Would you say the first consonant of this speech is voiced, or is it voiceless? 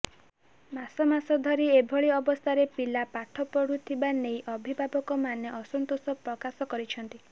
voiced